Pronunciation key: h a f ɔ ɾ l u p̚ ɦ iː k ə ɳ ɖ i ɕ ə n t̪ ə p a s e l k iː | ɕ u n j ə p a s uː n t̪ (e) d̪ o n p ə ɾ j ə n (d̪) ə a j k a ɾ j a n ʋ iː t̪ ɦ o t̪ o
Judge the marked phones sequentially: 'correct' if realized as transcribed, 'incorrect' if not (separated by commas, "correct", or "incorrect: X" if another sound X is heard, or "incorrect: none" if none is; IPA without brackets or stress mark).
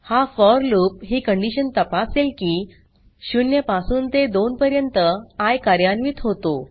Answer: correct, incorrect: t̪